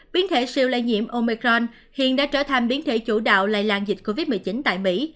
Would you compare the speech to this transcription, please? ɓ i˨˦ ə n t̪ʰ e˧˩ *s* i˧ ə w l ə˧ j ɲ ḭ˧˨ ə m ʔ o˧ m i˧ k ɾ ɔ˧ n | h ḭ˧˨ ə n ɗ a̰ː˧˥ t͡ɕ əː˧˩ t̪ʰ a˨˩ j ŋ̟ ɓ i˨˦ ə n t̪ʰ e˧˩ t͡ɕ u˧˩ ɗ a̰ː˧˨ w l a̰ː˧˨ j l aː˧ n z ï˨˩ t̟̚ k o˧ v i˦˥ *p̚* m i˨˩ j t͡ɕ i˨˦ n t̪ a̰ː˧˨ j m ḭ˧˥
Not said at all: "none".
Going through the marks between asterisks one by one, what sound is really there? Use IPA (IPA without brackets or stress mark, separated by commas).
s, t̚